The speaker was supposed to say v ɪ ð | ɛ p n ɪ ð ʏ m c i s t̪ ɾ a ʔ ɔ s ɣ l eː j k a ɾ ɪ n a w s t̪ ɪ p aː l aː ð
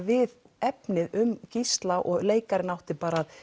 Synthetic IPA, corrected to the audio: v ɪ ð | ɛ p n ɪ ð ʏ m c i s t̪ l a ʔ ɔ ɣ l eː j k a ɾ ɪ n a w h t̪ ɪ p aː ɾ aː ð